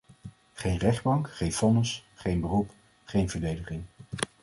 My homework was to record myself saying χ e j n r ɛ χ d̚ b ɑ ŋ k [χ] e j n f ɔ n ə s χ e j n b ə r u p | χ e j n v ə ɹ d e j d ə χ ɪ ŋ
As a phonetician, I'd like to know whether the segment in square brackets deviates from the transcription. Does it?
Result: no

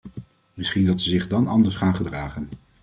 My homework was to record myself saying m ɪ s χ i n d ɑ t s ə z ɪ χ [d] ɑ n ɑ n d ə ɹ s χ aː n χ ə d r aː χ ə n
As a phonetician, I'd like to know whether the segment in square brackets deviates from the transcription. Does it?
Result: no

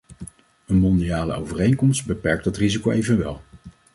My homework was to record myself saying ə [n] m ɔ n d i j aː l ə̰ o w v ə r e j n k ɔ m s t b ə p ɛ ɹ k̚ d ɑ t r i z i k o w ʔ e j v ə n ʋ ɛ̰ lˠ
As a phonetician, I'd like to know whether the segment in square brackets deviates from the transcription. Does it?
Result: no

